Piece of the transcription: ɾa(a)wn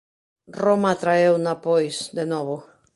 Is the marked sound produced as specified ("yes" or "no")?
no